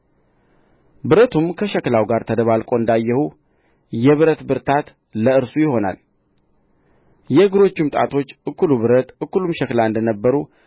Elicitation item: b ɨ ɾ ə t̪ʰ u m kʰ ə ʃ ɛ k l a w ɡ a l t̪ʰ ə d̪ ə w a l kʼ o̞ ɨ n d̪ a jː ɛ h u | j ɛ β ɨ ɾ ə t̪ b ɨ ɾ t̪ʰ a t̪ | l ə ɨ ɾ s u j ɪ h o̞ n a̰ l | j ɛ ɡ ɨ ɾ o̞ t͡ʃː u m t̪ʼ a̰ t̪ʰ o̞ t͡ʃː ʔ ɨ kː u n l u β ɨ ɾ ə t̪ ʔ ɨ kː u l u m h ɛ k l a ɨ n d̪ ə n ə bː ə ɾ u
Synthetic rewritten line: b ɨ ɾ ə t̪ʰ u m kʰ ə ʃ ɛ k l a w ɡ a ɾ t̪ʰ ə d̪ ə β a l kʼ o̞ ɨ n d̪ a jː ɛ h u | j ɛ β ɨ ɾ ə t̪ b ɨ ɾ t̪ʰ a t̪ | l ə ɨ ɾ s u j ɪ h o̞ n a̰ l | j ɛ ɡ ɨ ɾ o̞ t͡ʃː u m t̪ʼ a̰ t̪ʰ o̞ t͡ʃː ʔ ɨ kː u l u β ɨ ɾ ə t̪ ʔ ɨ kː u l u m ʃ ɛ k l a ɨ n d̪ ə n ə bː ə ɾ u